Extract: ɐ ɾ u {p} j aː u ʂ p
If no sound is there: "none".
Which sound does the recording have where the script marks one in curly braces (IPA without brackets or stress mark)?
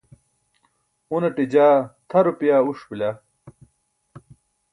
p